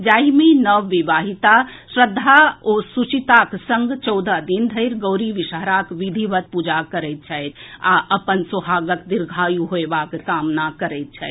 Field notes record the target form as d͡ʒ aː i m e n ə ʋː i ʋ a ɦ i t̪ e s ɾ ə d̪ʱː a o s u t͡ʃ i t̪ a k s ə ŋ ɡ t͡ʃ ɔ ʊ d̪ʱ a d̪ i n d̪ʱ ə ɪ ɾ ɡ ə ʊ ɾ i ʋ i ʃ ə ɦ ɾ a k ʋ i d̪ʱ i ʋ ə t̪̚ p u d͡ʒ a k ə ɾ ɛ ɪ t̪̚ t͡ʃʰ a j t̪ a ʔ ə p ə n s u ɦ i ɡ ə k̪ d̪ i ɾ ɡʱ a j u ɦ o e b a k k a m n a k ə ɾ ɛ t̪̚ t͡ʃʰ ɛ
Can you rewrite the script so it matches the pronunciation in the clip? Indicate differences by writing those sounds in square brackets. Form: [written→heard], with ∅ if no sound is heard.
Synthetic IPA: d͡ʒ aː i m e n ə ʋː i ʋ a ɦ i t̪ [e→a] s ɾ ə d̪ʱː a o s u t͡ʃ i t̪ a k s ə ŋ ɡ t͡ʃ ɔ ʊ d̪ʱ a d̪ i n d̪ʱ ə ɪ ɾ ɡ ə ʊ ɾ i ʋ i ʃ ə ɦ ɾ a k ʋ i d̪ʱ i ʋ ə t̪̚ p u d͡ʒ a k ə ɾ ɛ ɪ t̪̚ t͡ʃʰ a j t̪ a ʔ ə p ə n s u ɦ [i→a] ɡ ə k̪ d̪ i ɾ ɡʱ a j u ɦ o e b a k k a m n a k ə ɾ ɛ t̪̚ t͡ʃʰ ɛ